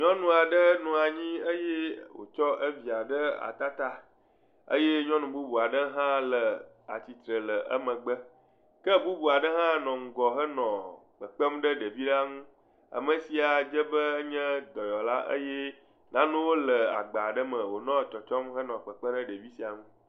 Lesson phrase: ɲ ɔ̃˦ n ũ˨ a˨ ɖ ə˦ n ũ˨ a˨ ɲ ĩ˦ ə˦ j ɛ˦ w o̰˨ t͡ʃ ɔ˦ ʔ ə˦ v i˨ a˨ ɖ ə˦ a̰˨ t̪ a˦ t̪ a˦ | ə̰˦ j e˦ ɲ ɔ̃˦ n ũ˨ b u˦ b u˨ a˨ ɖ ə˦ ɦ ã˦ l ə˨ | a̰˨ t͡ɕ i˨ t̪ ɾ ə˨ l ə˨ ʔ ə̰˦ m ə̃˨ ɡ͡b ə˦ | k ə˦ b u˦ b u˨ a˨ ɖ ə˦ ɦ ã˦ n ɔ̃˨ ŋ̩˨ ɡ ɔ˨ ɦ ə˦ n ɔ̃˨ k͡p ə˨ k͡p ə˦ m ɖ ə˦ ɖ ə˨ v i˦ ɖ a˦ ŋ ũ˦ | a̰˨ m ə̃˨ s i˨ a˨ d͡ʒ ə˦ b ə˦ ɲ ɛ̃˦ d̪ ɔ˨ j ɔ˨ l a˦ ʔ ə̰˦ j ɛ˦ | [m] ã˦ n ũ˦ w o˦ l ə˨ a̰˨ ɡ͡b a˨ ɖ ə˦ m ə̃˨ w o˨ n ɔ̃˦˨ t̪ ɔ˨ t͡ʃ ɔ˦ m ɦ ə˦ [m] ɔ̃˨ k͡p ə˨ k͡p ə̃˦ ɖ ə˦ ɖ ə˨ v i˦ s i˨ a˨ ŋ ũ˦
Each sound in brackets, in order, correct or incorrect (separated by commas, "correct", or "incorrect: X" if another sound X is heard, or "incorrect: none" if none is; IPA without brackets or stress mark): incorrect: n, incorrect: n